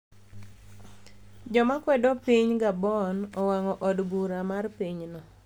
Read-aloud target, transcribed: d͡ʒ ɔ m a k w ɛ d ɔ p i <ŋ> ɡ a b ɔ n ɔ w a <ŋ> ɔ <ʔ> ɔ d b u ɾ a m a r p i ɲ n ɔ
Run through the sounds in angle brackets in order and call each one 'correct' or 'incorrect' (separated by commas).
incorrect, correct, correct